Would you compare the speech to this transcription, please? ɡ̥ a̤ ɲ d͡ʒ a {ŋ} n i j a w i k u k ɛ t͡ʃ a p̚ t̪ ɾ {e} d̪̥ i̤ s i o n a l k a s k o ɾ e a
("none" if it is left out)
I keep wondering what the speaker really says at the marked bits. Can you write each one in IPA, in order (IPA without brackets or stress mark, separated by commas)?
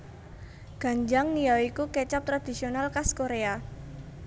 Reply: ŋ, a